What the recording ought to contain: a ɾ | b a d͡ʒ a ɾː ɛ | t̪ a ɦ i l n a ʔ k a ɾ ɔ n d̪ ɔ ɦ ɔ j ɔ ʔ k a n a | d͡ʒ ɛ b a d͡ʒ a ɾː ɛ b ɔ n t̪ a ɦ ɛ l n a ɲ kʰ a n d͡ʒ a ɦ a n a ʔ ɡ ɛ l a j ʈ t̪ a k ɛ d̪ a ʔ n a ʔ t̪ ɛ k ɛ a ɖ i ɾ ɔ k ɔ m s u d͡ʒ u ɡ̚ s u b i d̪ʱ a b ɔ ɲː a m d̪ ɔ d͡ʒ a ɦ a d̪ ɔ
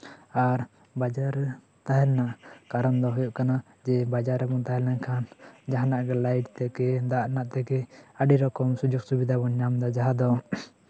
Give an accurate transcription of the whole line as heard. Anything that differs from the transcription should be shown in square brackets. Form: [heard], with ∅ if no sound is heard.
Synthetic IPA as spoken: a ɾ | b a d͡ʒ a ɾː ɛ | t̪ a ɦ [ɛ] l n a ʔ k a ɾ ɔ n d̪ ɔ ɦ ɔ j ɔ ʔ k a n a | d͡ʒ ɛ b a d͡ʒ a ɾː ɛ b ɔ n t̪ a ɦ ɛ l n a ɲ kʰ a n d͡ʒ a ɦ a n a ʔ ɡ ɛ l a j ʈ t̪ [ɛ] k ɛ d̪ a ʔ n a ʔ t̪ ɛ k ɛ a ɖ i ɾ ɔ k ɔ m s u d͡ʒ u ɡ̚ s u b i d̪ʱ a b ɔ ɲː a m d̪ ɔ d͡ʒ a ɦ a d̪ ɔ

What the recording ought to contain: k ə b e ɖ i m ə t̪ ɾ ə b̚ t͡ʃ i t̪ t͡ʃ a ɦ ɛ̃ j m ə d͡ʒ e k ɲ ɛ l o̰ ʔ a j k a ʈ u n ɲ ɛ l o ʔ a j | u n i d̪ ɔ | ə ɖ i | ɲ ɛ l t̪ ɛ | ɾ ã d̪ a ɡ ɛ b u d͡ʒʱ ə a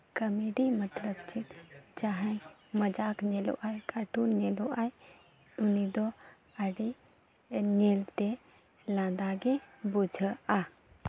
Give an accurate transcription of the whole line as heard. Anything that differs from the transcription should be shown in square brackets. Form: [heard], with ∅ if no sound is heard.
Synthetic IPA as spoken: k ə [m] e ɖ i m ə t̪ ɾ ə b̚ t͡ʃ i t̪ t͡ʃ a ɦ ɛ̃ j m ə d͡ʒ [a] k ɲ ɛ l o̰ ʔ a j k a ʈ u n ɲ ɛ l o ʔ a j | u n i d̪ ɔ | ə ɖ i | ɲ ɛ l t̪ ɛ | [l] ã d̪ a ɡ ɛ b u d͡ʒʱ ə a

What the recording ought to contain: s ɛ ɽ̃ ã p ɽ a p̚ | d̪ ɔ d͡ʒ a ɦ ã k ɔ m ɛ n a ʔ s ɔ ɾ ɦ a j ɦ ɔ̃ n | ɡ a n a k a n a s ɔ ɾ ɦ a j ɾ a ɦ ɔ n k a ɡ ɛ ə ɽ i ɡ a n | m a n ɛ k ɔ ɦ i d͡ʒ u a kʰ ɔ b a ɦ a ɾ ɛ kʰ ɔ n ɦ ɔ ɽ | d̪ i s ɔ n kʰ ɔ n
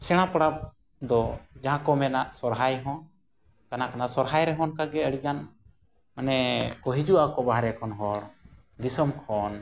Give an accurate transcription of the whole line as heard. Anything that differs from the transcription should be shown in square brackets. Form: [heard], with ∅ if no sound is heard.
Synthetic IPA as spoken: s ɛ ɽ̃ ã p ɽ a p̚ | d̪ ɔ d͡ʒ a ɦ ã k ɔ m ɛ n a ʔ s ɔ ɾ ɦ a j ɦ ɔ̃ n | [k] a n a k a n a s ɔ ɾ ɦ a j ɾ [ɛ] ɦ ɔ n k a ɡ ɛ ə ɽ i ɡ a n | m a n ɛ k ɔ ɦ i d͡ʒ u a [k] ɔ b a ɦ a ɾ ɛ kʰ ɔ n ɦ ɔ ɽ | d̪ i s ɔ [m] kʰ ɔ n

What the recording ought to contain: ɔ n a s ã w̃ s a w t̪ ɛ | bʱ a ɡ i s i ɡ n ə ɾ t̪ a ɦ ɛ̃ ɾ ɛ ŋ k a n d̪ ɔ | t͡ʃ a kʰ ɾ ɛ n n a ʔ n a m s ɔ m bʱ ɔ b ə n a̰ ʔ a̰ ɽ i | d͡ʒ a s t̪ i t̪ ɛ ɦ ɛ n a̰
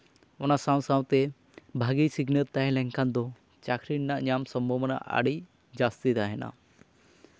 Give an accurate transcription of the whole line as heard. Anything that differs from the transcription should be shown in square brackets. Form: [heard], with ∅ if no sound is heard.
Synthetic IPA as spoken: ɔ n a s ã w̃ s a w t̪ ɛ | bʱ a ɡ i s i ɡ n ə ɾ t̪ a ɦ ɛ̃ [l] ɛ ŋ k a n d̪ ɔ | t͡ʃ a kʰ ɾ [i] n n a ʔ [ɲ] a m s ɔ m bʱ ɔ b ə n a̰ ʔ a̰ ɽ i | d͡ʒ a s t̪ i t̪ [a] ɦ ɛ n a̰

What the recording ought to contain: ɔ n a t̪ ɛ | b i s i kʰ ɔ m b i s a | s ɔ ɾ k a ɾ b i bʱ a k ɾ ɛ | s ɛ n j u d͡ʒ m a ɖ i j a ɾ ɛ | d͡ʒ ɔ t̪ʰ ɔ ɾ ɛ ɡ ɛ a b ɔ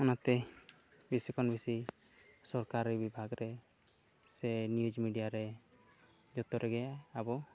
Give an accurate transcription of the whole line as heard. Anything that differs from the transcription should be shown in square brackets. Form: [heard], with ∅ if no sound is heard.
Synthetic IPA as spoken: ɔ n a t̪ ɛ | b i s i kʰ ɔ [n] b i s [i] | s ɔ ɾ k a ɾ b i bʱ a [ɡ] ɾ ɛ | s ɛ n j u d͡ʒ m [i] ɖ i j a ɾ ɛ | d͡ʒ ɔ [t̪] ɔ ɾ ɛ ɡ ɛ a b ɔ

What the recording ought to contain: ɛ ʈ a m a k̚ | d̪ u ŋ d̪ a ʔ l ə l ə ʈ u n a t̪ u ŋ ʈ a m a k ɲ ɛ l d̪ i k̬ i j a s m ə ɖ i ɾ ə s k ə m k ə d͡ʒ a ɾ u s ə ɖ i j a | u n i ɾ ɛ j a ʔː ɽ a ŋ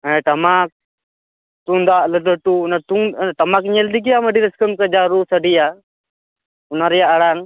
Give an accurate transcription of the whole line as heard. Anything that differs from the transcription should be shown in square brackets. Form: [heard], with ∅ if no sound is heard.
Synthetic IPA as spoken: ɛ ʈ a m a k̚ | [t̪] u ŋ d̪ a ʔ l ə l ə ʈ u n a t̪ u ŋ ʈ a m a k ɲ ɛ l d̪ i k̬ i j a [∅] m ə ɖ i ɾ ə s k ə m k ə d͡ʒ a ɾ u s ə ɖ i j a | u n [a] ɾ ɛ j a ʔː ɽ a ŋ

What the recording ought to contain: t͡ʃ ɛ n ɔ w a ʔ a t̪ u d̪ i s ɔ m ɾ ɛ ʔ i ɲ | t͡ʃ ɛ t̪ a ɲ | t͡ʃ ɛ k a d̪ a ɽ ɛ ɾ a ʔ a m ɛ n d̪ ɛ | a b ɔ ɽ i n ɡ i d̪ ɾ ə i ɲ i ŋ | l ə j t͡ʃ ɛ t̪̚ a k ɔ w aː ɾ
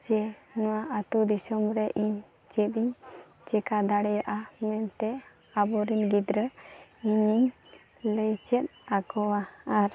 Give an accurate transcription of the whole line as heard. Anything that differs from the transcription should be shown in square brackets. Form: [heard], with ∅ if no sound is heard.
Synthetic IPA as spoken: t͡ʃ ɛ n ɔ w a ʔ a t̪ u d̪ i s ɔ m ɾ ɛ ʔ i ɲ | t͡ʃ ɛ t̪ [i] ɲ | t͡ʃ ɛ k a d̪ a ɽ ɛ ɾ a ʔ a m ɛ n [t̪] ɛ | a b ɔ [ɾ] i n ɡ i d̪ ɾ ə i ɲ i [ɲ] | l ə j t͡ʃ ɛ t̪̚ a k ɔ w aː ɾ

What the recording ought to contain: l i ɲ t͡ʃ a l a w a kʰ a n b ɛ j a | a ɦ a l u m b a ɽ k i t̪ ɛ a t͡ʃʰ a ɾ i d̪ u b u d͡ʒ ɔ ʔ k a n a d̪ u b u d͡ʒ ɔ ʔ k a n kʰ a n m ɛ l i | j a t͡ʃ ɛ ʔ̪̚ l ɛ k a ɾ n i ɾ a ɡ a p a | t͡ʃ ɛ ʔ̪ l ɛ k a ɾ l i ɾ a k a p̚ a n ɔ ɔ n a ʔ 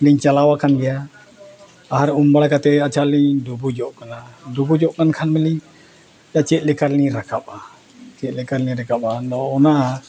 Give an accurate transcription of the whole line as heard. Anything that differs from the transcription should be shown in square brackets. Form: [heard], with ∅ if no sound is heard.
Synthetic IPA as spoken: l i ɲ t͡ʃ a l a w a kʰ a n [ɡ] ɛ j a | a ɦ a [ɾ] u m b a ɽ k [a] t̪ ɛ a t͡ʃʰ a [l] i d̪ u b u d͡ʒ ɔ ʔ k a n a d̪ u b u d͡ʒ ɔ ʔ k a n kʰ a n m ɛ l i | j a t͡ʃ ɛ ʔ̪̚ l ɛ k a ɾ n i ɾ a [k] a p a | t͡ʃ ɛ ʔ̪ l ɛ k a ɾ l i ɾ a k a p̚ a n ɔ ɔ n a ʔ

